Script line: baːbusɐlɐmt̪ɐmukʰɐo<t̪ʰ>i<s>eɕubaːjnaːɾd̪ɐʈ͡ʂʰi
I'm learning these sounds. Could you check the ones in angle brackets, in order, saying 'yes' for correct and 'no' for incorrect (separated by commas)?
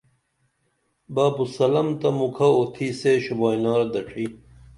yes, yes